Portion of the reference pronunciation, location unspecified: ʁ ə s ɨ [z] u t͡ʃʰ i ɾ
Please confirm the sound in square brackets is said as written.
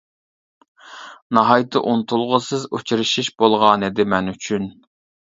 yes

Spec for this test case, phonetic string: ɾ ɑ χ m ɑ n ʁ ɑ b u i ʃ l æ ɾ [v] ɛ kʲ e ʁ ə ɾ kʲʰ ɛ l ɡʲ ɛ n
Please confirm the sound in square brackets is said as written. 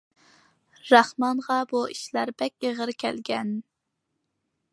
no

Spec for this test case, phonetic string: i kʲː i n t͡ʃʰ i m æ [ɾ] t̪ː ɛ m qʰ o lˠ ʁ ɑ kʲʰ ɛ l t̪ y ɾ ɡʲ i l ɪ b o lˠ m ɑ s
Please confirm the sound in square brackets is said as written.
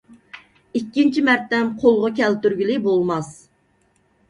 yes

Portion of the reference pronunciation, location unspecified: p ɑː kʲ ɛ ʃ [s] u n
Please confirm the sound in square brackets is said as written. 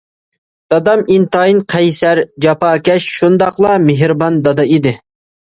no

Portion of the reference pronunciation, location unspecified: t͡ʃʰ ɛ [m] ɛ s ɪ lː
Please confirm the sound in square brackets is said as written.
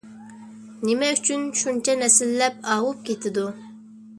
no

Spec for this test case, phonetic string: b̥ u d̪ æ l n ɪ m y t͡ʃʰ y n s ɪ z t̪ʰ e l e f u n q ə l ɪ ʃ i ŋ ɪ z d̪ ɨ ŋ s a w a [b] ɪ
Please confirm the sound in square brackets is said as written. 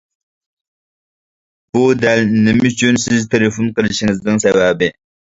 yes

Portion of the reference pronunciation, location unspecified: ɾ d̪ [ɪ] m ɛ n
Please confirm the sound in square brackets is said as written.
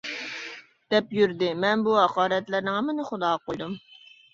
yes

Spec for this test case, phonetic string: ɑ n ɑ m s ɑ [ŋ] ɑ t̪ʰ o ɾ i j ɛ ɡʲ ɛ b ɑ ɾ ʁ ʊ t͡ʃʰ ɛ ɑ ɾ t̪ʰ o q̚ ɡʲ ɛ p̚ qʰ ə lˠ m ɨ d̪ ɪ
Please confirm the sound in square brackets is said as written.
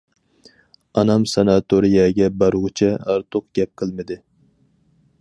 no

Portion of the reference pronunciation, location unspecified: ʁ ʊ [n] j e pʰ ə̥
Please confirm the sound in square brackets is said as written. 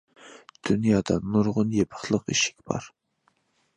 yes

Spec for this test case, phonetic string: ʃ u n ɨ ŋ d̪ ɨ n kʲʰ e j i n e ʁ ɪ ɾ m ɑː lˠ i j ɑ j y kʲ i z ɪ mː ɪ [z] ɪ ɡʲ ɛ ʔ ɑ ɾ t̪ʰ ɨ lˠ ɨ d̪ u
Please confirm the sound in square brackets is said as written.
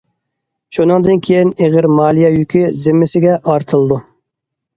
no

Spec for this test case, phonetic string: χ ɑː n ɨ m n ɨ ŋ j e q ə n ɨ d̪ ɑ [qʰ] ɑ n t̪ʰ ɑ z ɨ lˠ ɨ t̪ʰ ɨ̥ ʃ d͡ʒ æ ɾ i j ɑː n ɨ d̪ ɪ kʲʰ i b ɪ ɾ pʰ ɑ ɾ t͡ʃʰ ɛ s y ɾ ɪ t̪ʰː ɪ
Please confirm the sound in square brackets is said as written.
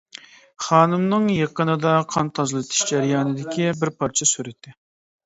yes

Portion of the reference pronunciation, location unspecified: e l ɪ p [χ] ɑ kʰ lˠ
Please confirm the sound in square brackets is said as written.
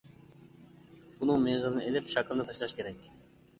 no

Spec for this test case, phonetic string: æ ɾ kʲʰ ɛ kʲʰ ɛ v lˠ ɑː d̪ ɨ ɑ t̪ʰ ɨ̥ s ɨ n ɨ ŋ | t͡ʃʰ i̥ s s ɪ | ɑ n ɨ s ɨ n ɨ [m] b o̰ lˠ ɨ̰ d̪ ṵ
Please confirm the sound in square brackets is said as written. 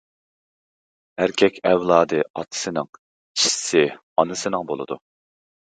no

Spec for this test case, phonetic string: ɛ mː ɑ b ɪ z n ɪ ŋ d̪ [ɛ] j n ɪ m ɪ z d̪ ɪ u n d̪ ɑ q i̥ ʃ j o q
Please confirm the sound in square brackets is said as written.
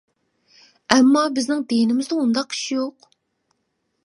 no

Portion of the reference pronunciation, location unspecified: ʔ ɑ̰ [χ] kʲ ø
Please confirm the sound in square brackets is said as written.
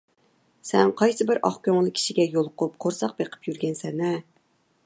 yes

